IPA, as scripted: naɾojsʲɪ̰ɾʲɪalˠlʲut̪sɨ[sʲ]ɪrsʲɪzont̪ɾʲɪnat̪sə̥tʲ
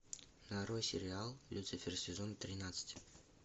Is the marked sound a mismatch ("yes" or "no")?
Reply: yes